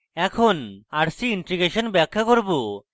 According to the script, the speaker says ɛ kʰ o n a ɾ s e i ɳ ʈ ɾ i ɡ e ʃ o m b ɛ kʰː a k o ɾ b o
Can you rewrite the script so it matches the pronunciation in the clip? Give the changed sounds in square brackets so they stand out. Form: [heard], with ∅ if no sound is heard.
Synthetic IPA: ɛ kʰ o n a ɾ s [i] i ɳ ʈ ɾ i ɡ e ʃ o [n] b ɛ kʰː a k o ɾ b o